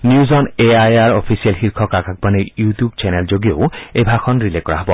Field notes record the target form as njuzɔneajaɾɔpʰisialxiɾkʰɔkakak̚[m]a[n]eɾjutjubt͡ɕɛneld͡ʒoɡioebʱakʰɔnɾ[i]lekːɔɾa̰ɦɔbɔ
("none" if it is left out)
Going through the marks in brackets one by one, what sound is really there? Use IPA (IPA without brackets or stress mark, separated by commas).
b, n, i